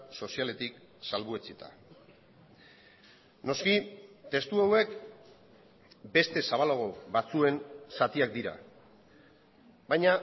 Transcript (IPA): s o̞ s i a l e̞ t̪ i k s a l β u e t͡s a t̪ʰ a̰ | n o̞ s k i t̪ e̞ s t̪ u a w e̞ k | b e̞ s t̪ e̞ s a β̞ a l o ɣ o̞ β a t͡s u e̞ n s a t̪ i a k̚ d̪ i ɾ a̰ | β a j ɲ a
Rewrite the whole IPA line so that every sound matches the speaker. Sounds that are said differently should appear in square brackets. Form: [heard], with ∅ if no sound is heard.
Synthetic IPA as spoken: s o̞ s i a l e̞ t̪ i k s a l β u e t͡s [i] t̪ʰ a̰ | n o̞ s k i t̪ e̞ s t̪ u a w e̞ k | b e̞ s t̪ e̞ s a β̞ a l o ɣ o̞ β a t͡s u e̞ n s a t̪ i a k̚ d̪ i ɾ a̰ | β a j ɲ a

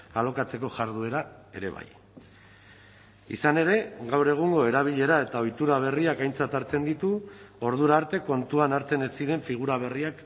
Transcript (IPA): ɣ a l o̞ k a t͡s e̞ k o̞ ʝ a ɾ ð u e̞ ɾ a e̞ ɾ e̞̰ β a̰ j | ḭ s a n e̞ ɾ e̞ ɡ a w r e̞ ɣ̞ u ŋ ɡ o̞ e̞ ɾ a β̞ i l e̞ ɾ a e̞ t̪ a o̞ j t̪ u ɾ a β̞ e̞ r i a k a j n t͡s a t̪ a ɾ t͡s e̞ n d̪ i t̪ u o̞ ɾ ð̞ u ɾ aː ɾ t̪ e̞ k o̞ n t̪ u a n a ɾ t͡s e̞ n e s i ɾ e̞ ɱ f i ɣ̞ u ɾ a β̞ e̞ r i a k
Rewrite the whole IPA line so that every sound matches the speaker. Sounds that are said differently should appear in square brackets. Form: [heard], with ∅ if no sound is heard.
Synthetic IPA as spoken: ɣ a l o̞ k a t͡s e̞ k o̞ ʝ a ɾ ð u e̞ ɾ a e̞ ɾ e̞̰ β a̰ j | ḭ s a n e̞ ɾ e̞ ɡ a w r e̞ ɣ̞ u ŋ ɡ o̞ e̞ ɾ a β̞ i [ʎ] e̞ ɾ a e̞ t̪ a o̞ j t̪ u ɾ a β̞ e̞ r i a k a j n t͡s a t̪ a ɾ t͡s e̞ n d̪ i t̪ u o̞ ɾ ð̞ u ɾ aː ɾ t̪ e̞ k o̞ n t̪ u a n a ɾ t͡s e̞ n e s i ɾ e̞ ɱ f i ɣ̞ u ɾ a β̞ e̞ r i a k

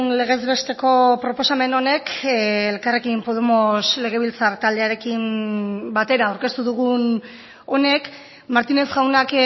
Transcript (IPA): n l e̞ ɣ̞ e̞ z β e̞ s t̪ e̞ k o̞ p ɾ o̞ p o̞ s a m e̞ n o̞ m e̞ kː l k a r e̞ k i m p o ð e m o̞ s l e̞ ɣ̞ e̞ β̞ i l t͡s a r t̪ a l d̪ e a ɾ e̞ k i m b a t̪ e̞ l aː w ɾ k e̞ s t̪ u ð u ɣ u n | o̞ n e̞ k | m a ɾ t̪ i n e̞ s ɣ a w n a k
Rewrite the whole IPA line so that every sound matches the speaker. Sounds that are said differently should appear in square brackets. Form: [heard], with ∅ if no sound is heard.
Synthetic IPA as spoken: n l e̞ ɣ̞ e̞ z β e̞ s t̪ e̞ k o̞ p ɾ o̞ p o̞ s a m e̞ n o̞ [n] e̞ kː l k a r e̞ k i m p o ð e m o̞ s l e̞ ɣ̞ e̞ β̞ i l t͡s a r t̪ a l d̪ e a ɾ e̞ k i m b a t̪ e̞ [ɾ] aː w ɾ k e̞ s t̪ u ð u ɣ u n | o̞ n e̞ k | m a ɾ t̪ i n e̞ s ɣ a w n a k

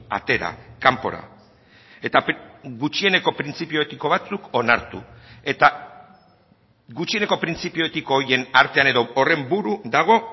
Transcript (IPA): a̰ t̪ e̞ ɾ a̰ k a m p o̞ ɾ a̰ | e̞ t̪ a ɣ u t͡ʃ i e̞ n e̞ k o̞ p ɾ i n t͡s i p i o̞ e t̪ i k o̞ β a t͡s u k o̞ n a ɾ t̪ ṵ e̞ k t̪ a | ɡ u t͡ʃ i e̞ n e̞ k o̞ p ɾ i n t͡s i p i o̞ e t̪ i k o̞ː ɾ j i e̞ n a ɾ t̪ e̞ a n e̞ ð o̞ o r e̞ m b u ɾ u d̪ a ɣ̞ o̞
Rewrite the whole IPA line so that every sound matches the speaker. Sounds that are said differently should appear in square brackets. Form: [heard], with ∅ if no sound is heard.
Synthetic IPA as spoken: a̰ t̪ e̞ ɾ a̰ k a m p o̞ ɾ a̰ | e̞ t̪ a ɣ u t͡ʃ i e̞ n e̞ k o̞ p ɾ i n t͡s i p i o̞ e t̪ i k o̞ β a t͡s u k o̞ n a ɾ t̪ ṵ e̞ [∅] t̪ a | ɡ u t͡ʃ i e̞ n e̞ k o̞ p ɾ i n t͡s i p i o̞ e t̪ i k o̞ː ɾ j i e̞ n a ɾ t̪ e̞ a n e̞ ð o̞ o r e̞ m b u ɾ u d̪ a ɣ̞ o̞

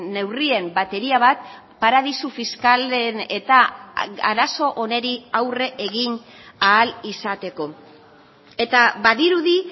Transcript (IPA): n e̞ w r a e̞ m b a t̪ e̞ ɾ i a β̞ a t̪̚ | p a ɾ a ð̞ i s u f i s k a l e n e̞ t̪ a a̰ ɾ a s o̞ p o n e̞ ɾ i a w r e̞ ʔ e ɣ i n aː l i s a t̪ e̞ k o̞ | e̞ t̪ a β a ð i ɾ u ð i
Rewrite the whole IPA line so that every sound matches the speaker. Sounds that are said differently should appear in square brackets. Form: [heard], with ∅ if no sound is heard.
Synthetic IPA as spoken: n e̞ w r [i] e̞ m b a t̪ e̞ ɾ i a β̞ a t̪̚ | p a ɾ a ð̞ i s u f i s k a l e n e̞ t̪ a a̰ ɾ a s o̞ [ʔ] o n e̞ ɾ i a w r e̞ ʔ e ɣ i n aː l i s a t̪ e̞ k o̞ | e̞ t̪ a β a ð i ɾ u ð i

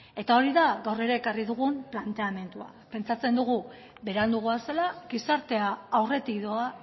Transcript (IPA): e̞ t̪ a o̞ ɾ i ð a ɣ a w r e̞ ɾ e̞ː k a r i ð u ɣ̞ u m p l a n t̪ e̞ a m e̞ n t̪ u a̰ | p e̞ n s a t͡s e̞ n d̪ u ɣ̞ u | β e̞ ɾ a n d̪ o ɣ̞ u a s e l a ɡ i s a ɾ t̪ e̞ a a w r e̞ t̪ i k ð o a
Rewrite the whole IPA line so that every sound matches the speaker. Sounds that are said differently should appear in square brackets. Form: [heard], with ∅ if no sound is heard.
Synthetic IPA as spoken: e̞ t̪ a o̞ ɾ i ð a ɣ a w r e̞ ɾ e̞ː k a r i ð u ɣ̞ u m p l a n t̪ e̞ a m e̞ n t̪ u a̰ | p e̞ n [t͡s] a t͡s e̞ n d̪ u ɣ̞ u | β e̞ ɾ a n d̪ [u] ɣ̞ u a s e l a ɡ i s a ɾ t̪ e̞ a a w r e̞ t̪ i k ð o a

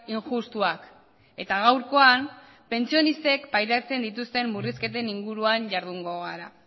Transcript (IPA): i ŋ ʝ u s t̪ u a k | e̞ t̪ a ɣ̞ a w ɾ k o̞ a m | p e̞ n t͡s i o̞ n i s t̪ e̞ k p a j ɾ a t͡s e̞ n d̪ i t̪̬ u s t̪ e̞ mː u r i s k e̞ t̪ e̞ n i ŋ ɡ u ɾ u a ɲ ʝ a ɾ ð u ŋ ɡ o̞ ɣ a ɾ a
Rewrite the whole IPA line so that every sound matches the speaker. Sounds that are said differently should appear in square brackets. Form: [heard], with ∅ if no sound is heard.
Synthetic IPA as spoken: i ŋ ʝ u s t̪ u a k | e̞ t̪ a ɣ̞ a w ɾ k o̞ a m | p e̞ n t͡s i o̞ n i s t̪ e̞ k p a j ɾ a t͡s e̞ n d̪ i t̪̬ u s t̪ e̞ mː u r i s k e̞ t̪ e̞ n i ŋ ɡ u ɾ u a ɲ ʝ a ɾ ð u ŋ ɡ o̞ ɣ a ɾ a

